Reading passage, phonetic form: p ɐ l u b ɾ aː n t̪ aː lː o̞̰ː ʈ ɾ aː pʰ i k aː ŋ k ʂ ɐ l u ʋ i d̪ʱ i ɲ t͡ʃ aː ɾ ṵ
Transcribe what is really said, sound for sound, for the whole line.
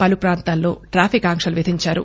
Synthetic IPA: p ɐ l u p ɾ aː n t̪ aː lː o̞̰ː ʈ ɾ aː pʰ i k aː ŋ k ʂ ɐ l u ʋ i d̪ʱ i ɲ t͡ʃ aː ɾ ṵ